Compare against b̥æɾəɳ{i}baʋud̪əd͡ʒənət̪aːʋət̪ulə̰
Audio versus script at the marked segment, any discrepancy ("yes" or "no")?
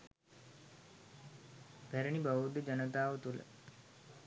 no